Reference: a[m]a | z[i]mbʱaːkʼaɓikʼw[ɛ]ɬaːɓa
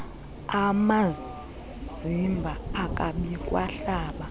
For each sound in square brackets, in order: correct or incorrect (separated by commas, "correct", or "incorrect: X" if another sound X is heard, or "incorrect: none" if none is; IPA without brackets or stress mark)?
correct, correct, incorrect: a